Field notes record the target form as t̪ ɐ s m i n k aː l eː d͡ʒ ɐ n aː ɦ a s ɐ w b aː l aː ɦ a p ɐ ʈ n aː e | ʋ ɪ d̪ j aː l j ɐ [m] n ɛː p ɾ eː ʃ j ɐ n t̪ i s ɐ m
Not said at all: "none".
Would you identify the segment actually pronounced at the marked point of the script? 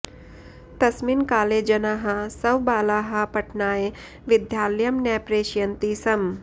m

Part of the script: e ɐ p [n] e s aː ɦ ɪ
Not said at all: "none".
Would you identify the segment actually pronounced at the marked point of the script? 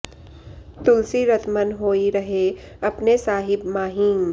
n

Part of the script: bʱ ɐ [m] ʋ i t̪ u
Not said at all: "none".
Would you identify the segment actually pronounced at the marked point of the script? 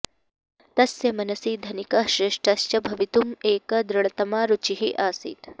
none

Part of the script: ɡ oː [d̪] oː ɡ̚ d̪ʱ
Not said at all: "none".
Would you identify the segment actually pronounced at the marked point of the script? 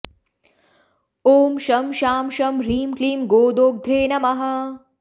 d̪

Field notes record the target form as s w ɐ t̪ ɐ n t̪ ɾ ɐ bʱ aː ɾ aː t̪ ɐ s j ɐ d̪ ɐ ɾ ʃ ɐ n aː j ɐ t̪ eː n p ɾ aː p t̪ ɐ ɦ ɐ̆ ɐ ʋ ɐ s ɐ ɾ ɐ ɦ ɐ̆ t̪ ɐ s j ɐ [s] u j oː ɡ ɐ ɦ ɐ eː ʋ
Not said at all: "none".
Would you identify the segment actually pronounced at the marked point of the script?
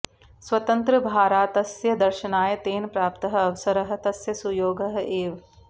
s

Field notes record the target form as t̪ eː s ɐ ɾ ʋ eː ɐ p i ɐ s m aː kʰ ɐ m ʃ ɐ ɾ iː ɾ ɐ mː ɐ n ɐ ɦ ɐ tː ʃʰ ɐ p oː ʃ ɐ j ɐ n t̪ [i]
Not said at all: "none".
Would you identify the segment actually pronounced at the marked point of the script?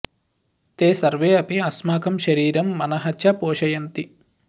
i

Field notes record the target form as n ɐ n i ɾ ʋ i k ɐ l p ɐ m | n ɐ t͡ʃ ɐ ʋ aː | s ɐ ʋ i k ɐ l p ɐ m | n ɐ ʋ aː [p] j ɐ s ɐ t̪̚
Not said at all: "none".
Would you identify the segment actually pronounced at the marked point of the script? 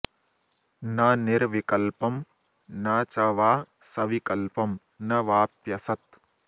p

